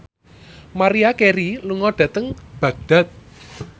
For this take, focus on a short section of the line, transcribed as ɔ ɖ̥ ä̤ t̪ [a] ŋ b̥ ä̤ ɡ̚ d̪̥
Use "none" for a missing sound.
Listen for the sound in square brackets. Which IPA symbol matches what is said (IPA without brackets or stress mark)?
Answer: ə